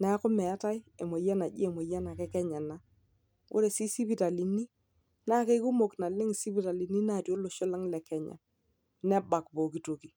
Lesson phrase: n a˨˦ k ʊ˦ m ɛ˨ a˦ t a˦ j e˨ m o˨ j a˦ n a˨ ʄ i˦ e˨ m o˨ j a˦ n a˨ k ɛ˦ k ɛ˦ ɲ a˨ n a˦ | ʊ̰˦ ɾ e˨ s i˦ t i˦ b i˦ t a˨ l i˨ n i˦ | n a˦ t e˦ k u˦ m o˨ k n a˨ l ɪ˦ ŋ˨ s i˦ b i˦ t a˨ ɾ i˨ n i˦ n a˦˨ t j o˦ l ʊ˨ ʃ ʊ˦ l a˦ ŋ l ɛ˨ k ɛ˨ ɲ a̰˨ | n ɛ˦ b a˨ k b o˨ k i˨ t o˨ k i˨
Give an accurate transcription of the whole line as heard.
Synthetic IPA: n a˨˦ k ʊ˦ m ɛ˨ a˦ t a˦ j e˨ m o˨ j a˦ n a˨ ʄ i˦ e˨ m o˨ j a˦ n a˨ k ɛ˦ k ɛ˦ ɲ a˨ n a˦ | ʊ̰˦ ɾ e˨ s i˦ s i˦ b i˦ t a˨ l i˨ n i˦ | n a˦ k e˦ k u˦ m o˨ k n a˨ l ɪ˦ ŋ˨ s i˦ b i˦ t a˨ l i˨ n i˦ n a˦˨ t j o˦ l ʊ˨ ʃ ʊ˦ l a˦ ŋ l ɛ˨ k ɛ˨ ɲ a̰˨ | n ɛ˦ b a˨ k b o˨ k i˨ t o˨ k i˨